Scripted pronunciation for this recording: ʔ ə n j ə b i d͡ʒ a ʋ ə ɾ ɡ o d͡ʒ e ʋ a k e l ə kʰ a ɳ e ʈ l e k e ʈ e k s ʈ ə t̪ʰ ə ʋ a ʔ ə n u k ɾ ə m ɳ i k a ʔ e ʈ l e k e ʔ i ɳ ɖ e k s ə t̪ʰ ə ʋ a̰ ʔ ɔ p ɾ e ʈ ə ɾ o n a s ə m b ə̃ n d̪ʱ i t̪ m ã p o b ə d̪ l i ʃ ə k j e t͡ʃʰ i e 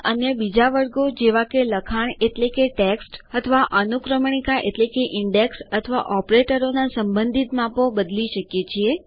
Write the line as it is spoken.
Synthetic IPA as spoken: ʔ ə n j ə b i d͡ʒ a ʋ ə ɾ ɡ o d͡ʒ e ʋ a k e l ə kʰ a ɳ e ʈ l e k e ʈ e k s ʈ ə t̪ʰ ə ʋ a ʔ ə n u k ɾ ə m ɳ i k a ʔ e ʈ l e k e ʔ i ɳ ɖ e k s ə t̪ʰ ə ʋ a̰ ʔ ɔ p ɾ e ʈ ə ɾ o n a s ə m b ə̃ n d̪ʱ i t̪ m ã p o b ə d̪ l i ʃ ə k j e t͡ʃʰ i e